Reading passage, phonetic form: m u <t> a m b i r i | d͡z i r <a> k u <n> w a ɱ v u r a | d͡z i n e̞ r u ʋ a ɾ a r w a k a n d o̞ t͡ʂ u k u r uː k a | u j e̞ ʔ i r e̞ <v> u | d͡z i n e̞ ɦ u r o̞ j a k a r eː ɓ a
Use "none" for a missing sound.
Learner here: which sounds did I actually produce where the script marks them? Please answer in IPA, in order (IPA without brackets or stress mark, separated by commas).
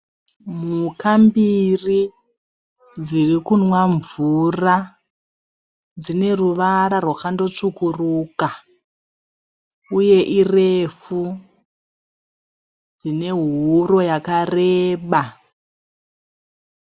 k, i, n, f